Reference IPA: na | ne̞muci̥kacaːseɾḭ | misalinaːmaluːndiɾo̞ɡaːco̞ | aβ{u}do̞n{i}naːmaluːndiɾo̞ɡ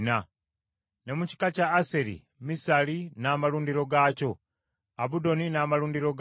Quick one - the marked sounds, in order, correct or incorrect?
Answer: correct, correct

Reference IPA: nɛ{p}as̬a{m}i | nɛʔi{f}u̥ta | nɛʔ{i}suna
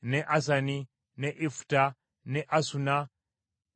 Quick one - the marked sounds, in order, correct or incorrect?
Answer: incorrect: ʔ, incorrect: n, correct, incorrect: a

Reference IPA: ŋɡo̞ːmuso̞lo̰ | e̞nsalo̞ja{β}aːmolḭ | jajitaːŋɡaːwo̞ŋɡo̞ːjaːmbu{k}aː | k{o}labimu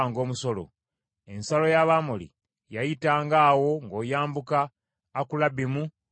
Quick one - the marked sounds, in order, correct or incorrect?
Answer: correct, correct, incorrect: u

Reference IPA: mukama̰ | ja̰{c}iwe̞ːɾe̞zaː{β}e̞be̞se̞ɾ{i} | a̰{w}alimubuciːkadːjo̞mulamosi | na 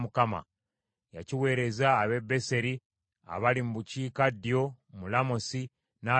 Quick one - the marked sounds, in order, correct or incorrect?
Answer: correct, correct, correct, incorrect: β

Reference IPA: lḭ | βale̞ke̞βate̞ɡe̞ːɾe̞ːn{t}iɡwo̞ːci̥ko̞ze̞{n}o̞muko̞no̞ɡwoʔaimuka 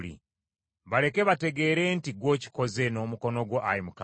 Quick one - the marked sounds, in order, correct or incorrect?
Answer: correct, correct

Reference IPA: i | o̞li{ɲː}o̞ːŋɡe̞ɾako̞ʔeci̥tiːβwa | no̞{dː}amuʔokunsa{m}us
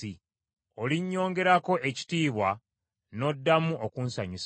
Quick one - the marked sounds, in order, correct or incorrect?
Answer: correct, correct, incorrect: ɲ

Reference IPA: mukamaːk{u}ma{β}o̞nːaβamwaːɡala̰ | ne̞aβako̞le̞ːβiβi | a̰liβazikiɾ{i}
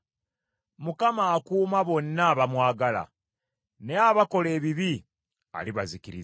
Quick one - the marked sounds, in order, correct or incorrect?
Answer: incorrect: uː, correct, correct

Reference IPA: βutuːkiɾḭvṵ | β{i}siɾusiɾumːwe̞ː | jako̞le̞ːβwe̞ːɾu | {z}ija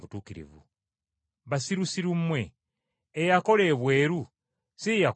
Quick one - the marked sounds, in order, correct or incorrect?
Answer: incorrect: a, incorrect: s

